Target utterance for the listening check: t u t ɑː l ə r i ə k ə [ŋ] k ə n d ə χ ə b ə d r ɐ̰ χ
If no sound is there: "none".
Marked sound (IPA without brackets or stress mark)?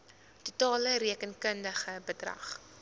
n